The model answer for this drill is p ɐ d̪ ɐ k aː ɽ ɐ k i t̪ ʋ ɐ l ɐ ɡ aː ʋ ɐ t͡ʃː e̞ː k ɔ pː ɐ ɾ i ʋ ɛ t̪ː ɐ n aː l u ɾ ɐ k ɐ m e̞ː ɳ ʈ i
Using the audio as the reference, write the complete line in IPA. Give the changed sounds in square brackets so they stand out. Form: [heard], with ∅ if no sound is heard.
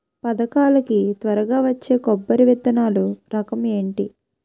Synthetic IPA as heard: p ɐ d̪ ɐ k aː [l] ɐ k i t̪ ʋ ɐ [ɾ] ɐ ɡ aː ʋ ɐ t͡ʃː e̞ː k ɔ [bː] ɐ ɾ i ʋ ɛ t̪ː ɐ n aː l u ɾ ɐ k ɐ m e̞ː ɳ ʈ i